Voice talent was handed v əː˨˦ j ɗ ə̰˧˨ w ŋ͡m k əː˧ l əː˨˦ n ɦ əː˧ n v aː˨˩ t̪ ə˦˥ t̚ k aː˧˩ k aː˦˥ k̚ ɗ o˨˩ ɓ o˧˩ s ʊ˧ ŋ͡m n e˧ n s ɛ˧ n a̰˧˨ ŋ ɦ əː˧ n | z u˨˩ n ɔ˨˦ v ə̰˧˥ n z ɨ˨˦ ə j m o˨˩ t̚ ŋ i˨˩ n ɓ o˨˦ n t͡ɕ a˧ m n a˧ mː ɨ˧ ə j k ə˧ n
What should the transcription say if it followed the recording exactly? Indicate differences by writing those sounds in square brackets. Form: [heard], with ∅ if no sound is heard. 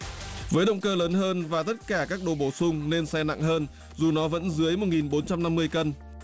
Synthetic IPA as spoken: v əː˨˦ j ɗ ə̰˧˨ w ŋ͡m k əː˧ l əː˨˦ n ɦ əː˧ n v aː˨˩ t̪ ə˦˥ t̚ k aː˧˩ k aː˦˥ k̚ ɗ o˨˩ ɓ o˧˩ s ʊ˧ ŋ͡m n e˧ n s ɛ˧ n a̰˧˨ ŋ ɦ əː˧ n | z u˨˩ n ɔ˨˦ v ə̰˧˥ n z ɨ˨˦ ə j m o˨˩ t̚ ŋ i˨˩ n ɓ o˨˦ n t͡ɕ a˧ m n a˧ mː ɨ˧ ə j k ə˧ n